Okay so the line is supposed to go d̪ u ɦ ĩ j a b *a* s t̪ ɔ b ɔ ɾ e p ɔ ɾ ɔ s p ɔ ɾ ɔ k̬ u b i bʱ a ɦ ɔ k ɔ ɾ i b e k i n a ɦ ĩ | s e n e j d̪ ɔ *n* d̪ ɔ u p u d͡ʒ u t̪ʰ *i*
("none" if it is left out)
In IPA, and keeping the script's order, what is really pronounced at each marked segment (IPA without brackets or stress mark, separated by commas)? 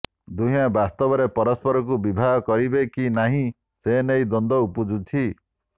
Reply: a, n, i